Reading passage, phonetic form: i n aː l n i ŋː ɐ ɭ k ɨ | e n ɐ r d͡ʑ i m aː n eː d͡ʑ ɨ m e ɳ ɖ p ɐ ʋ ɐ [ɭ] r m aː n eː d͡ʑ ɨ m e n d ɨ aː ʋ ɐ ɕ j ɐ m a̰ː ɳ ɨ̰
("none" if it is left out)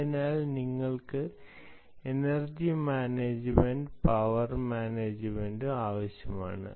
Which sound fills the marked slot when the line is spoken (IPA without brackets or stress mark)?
none